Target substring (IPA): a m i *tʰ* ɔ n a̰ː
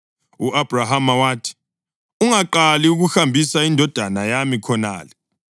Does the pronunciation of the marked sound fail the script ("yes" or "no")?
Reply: yes